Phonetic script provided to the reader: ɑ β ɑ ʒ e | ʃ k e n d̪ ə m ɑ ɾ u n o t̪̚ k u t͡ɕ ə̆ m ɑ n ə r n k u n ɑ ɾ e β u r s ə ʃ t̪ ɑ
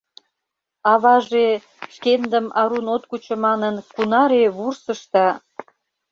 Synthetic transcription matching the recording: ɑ β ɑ ʒ e | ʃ k e n d̪ ə m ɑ ɾ u n o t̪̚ k u t͡ɕ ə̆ m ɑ n ə n k u n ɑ ɾ e β u r s ə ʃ t̪ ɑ